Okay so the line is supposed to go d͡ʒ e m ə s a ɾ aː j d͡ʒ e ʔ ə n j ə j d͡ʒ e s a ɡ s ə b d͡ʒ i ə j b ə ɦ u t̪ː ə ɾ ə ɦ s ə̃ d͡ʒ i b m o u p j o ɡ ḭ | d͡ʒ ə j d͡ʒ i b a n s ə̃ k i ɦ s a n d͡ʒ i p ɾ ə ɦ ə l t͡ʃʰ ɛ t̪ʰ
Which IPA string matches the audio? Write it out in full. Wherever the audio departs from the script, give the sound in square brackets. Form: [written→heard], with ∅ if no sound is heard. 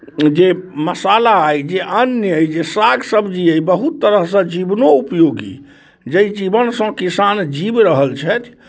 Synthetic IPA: d͡ʒ e m ə s a [ɾ→l] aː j d͡ʒ e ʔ ə n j ə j d͡ʒ e s a ɡ s ə b d͡ʒ i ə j b ə ɦ u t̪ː ə ɾ ə ɦ s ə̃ d͡ʒ i b [m→n] o u p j o ɡ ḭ | d͡ʒ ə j d͡ʒ i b [a→ə] n s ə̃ k i [ɦ→∅] s a n d͡ʒ i [p→b] ɾ ə ɦ ə l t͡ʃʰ ɛ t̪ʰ